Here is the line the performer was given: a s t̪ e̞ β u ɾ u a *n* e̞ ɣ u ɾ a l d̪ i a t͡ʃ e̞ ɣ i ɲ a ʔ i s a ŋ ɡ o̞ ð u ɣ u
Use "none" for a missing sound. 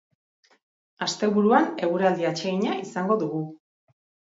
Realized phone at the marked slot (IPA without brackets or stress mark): n